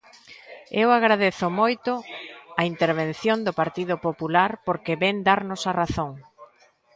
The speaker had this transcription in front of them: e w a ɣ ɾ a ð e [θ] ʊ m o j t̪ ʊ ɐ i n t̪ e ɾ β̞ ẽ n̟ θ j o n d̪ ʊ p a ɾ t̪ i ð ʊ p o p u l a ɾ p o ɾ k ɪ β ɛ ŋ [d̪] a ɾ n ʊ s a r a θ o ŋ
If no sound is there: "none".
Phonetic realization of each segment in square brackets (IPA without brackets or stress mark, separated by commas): θ, d̪